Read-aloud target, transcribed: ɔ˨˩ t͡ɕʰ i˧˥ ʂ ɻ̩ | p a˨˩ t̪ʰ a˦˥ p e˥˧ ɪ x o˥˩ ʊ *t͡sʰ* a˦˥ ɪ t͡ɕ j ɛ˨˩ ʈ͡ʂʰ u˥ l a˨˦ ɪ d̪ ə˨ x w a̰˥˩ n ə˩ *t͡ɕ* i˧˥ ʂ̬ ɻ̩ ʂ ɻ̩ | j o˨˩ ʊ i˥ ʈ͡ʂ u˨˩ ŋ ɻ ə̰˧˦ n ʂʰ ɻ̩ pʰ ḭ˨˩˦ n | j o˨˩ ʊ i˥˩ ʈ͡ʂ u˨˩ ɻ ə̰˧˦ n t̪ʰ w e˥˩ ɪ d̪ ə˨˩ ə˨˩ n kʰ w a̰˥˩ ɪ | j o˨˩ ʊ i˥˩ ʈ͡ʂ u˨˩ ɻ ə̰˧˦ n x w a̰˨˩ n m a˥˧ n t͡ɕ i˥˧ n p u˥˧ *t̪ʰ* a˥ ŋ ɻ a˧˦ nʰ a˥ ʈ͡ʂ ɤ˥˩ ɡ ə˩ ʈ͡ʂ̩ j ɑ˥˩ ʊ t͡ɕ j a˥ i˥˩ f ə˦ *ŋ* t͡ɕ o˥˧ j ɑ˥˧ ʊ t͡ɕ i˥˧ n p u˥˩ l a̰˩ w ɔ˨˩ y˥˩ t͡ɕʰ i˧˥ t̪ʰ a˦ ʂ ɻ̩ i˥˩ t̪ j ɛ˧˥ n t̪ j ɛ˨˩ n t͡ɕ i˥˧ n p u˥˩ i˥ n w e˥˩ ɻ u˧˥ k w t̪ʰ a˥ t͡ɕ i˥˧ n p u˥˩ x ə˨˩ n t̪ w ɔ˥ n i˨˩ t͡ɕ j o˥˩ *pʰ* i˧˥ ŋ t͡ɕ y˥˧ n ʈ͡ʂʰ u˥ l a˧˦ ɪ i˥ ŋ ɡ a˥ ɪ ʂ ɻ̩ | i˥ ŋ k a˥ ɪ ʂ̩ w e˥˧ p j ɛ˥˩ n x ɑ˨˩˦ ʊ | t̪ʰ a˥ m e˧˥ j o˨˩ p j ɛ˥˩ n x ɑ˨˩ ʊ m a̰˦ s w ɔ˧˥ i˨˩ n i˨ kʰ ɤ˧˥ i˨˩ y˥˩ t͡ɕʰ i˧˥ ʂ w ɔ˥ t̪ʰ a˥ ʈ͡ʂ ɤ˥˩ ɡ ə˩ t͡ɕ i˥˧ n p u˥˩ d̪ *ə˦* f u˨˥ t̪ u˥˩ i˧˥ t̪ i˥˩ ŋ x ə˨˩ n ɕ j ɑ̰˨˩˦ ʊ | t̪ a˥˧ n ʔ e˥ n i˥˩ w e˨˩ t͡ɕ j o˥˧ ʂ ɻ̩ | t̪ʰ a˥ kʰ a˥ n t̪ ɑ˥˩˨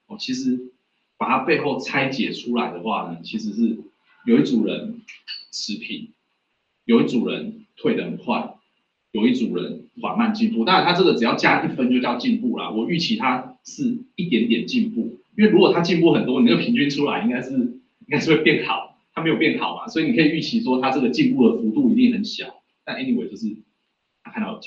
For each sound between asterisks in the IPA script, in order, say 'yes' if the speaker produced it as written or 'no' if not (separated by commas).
yes, no, no, no, yes, no